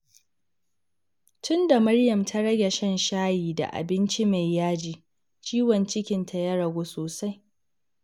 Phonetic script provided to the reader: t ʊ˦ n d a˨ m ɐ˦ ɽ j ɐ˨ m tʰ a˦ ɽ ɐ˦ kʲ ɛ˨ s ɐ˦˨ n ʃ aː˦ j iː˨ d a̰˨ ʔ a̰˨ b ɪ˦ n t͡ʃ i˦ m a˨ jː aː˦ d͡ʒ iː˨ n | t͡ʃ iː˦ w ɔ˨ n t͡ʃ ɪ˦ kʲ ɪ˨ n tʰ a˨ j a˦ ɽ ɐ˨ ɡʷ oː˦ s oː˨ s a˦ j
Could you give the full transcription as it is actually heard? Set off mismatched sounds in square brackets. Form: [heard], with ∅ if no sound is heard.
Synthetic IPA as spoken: t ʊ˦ n d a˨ m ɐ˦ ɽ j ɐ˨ m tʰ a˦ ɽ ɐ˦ [ɡʲ] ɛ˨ [ʃ] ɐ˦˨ n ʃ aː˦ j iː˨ d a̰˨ ʔ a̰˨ b ɪ˦ n t͡ʃ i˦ m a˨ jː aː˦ d͡ʒ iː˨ [∅] | t͡ʃ iː˦ w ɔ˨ n t͡ʃ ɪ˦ kʲ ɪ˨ n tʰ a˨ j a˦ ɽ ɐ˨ ɡʷ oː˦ s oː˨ s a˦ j